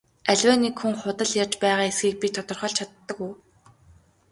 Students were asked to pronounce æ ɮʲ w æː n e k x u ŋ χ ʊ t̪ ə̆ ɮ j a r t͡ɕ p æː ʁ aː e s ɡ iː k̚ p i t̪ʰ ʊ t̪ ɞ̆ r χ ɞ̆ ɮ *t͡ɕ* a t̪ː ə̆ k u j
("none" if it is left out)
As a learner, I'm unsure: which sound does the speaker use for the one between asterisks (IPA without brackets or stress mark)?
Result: t͡ɕʰ